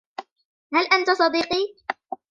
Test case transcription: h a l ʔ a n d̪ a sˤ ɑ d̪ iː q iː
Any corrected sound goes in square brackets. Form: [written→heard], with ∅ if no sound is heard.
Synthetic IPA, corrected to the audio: h a l ʔ a n [d̪→t̪] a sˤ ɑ d̪ iː q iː